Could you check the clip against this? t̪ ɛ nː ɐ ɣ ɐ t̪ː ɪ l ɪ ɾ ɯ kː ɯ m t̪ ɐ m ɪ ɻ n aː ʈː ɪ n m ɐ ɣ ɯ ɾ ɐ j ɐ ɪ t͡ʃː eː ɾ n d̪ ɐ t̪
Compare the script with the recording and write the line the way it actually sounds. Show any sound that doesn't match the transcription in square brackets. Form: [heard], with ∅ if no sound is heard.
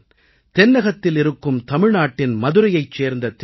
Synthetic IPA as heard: t̪ ɛ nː ɐ ɣ ɐ t̪ː ɪ l ɪ ɾ ɯ kː ɯ m t̪ ɐ m ɪ ɻ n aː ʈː ɪ n m ɐ [ð] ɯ ɾ ɐ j ɐ ɪ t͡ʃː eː ɾ n d̪ ɐ t̪